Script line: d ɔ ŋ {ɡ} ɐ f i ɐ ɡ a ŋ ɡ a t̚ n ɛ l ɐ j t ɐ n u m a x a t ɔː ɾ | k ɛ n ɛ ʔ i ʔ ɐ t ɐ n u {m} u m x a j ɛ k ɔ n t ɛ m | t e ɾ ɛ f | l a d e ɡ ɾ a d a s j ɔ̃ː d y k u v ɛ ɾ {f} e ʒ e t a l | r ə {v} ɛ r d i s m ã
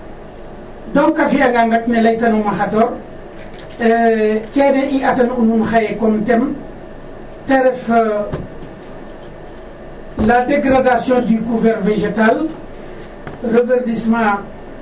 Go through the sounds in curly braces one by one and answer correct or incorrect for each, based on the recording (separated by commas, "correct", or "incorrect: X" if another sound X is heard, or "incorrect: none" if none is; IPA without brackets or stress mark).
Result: incorrect: k, incorrect: n, incorrect: v, correct